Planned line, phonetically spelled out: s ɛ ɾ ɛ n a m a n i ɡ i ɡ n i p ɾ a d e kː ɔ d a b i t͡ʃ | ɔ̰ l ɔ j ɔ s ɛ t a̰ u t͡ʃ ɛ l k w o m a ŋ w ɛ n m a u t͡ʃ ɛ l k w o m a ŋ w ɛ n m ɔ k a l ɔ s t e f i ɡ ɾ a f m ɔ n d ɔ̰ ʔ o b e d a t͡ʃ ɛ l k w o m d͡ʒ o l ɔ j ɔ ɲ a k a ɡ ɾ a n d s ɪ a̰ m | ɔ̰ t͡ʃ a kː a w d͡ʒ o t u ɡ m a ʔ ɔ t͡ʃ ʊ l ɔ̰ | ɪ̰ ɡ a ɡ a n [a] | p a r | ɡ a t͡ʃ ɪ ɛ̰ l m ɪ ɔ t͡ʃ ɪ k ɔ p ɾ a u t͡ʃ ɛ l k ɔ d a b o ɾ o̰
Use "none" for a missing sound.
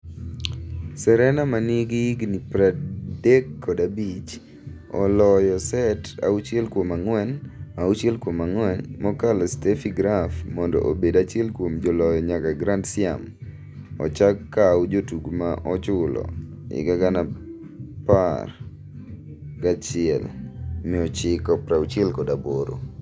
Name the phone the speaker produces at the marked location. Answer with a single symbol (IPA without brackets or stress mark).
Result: a